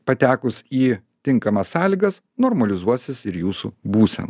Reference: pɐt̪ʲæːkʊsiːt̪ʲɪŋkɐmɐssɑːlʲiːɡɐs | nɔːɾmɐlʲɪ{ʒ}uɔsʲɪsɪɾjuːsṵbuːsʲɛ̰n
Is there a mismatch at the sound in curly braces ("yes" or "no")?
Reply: yes